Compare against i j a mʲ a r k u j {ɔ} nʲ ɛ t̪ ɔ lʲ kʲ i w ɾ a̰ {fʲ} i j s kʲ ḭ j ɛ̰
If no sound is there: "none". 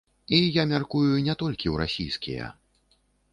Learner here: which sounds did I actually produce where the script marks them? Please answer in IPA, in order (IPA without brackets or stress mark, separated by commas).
u, sʲ